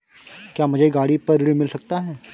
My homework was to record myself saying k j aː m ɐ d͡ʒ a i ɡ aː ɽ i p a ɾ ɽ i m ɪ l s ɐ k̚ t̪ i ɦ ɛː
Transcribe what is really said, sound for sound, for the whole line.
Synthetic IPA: k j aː m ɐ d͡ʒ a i ɡ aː ɽ i p ɐ ɾ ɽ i m ɪ l s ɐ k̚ t̪ a ɦ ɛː